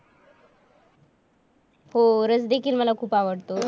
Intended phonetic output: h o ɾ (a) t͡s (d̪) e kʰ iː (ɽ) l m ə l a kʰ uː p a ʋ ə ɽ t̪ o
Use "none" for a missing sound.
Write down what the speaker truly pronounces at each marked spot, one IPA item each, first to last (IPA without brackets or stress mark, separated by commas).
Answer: ə, d̪, none